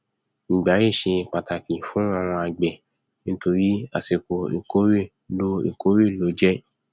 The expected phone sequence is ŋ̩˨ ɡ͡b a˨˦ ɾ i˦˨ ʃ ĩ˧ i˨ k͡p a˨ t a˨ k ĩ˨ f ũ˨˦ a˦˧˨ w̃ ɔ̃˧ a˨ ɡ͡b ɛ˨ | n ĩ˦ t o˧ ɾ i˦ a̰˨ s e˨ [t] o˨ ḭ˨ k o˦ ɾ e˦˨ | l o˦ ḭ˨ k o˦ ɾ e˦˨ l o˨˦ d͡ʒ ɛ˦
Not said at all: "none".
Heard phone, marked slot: k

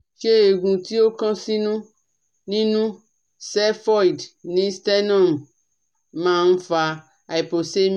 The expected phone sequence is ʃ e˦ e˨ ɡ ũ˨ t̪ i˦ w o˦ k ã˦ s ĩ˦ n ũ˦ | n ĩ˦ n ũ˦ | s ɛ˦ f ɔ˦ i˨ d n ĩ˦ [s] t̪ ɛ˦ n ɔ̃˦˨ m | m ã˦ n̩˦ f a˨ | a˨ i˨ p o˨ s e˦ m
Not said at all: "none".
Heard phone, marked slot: s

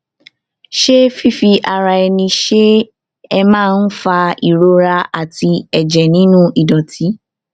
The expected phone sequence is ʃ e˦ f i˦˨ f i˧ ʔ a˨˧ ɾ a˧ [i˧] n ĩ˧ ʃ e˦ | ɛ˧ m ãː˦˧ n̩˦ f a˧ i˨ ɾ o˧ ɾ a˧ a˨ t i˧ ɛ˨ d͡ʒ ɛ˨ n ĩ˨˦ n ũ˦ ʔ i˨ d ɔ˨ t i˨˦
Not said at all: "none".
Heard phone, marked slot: ɛ˧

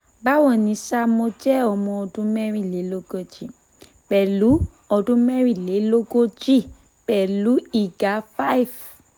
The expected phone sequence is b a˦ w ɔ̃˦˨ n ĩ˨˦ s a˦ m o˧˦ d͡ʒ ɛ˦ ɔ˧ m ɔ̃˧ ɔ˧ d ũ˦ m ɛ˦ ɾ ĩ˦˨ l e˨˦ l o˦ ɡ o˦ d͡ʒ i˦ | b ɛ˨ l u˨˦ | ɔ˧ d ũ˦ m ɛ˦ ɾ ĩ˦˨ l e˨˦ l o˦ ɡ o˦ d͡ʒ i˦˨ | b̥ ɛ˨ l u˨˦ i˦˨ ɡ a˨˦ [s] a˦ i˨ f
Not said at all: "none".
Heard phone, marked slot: f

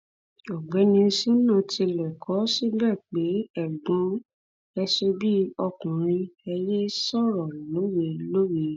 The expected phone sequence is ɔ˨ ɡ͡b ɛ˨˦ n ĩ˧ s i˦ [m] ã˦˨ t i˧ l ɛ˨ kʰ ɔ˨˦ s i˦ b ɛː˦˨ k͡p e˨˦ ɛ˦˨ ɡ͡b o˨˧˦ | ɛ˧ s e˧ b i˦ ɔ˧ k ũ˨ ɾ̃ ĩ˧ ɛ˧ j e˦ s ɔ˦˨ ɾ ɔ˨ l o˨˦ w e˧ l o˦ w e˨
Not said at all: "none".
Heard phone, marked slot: n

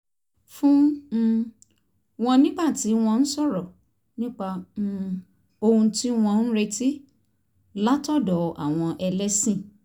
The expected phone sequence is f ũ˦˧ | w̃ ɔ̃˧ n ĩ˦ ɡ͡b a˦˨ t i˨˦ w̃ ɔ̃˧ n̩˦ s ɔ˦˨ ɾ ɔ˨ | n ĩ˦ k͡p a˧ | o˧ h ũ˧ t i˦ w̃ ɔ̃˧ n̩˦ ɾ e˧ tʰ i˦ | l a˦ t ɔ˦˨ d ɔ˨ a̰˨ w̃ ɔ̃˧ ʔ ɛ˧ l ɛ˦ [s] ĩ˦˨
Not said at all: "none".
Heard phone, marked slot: s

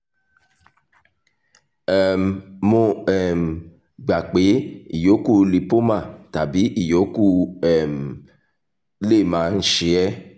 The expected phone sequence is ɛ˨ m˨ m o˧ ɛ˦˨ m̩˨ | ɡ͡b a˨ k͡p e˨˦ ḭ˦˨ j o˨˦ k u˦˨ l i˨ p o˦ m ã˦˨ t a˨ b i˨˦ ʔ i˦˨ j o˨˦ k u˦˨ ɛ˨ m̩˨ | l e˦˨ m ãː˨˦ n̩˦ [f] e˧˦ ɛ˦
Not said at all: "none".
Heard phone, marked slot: ʃ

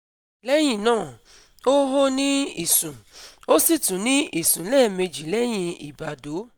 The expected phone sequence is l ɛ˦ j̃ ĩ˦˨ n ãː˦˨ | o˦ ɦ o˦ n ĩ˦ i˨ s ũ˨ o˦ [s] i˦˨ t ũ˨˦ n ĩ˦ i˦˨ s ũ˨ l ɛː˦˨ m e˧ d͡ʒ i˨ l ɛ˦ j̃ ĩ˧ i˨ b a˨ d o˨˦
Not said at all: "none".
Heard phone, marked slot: s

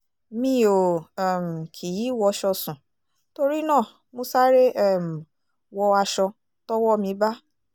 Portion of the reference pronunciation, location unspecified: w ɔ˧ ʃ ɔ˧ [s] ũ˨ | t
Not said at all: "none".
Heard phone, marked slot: s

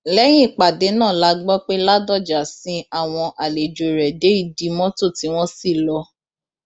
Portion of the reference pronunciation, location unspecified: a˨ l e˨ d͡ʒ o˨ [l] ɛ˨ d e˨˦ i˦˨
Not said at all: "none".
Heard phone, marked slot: ɾ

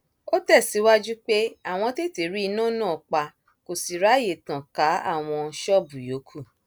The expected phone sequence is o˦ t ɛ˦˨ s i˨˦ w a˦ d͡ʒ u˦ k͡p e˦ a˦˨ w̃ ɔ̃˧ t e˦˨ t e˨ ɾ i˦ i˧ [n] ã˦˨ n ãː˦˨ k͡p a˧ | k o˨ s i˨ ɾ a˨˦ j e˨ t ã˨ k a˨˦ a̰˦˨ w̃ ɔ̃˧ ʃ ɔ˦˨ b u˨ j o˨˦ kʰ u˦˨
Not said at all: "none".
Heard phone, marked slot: n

